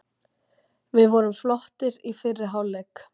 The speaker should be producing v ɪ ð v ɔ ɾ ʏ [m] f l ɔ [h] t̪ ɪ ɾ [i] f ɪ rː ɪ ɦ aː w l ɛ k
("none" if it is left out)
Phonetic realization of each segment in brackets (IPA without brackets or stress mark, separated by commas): m, h, i